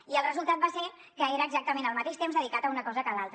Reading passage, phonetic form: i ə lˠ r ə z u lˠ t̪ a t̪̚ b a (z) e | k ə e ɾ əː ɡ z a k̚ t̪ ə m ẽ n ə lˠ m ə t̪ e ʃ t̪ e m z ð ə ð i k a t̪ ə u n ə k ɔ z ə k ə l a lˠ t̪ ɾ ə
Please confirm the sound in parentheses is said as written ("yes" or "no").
no